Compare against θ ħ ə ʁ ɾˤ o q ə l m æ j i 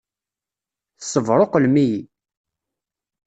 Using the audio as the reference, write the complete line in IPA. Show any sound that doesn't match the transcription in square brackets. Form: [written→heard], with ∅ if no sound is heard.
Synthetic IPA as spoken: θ [ħ→s] ə [ʁ→v] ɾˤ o q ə l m [æ→i] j i